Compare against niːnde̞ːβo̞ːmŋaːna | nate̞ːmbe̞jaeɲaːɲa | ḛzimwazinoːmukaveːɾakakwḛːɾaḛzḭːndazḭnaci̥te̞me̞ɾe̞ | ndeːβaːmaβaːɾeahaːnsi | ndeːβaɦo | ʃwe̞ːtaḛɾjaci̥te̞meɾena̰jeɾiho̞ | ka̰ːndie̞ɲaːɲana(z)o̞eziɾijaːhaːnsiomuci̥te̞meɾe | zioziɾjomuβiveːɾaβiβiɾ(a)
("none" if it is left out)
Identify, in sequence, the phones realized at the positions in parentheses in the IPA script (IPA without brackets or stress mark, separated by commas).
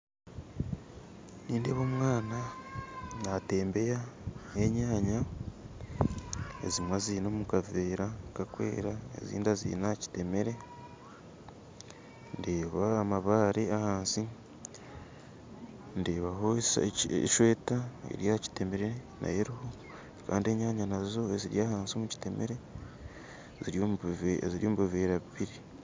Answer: z, i